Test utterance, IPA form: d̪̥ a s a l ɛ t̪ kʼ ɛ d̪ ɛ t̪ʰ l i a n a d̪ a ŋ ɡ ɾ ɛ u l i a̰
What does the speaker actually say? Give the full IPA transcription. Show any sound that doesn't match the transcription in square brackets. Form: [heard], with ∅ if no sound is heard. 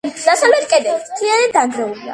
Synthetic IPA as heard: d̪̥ a s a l ɛ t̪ kʼ ɛ d̪ ɛ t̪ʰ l i a n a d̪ a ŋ ɡ ɾ ɛ u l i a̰